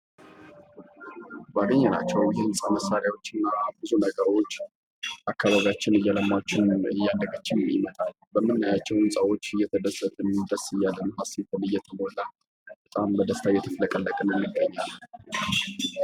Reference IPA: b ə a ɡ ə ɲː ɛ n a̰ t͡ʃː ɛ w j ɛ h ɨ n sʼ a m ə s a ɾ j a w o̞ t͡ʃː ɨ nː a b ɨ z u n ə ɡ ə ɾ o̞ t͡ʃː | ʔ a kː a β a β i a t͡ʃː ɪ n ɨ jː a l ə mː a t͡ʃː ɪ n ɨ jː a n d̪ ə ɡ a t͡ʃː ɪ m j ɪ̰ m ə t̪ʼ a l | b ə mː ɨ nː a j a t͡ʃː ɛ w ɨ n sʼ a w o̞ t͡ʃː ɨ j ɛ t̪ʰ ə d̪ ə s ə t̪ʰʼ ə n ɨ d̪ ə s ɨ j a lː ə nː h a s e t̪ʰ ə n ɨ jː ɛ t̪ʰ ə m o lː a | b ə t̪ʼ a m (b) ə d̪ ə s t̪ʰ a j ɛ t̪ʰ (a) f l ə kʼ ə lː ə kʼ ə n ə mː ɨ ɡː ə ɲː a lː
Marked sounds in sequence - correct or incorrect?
correct, incorrect: ə

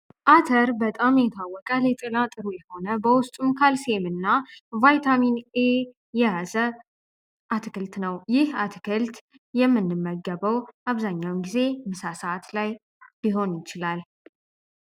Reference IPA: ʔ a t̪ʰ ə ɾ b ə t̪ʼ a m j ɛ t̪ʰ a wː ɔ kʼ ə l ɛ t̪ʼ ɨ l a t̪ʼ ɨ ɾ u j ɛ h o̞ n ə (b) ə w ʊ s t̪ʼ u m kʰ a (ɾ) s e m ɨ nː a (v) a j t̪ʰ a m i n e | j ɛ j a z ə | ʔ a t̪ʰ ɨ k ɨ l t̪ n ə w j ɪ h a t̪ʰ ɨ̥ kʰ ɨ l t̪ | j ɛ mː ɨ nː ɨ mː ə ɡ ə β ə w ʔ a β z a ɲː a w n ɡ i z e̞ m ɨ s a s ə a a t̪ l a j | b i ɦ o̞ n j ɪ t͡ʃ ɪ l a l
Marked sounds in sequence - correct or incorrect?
correct, incorrect: l, correct

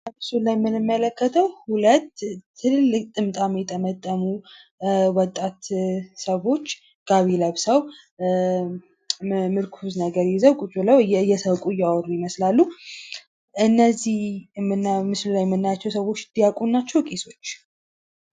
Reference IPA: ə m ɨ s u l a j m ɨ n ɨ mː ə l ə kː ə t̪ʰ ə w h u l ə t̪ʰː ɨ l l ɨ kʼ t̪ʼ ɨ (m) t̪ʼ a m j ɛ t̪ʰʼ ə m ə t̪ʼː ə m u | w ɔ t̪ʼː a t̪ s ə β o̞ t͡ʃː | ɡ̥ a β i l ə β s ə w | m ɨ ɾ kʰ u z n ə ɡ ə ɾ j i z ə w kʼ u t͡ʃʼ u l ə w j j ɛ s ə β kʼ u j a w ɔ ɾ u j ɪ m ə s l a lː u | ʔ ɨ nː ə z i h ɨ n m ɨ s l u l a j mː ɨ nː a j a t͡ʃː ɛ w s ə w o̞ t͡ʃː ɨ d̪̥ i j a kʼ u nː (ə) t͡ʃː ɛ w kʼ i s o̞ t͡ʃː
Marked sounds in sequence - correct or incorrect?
correct, incorrect: a

